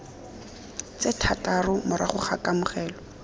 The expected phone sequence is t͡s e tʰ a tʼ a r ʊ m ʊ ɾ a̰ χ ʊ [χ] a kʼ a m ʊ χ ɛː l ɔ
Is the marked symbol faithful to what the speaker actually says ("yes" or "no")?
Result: yes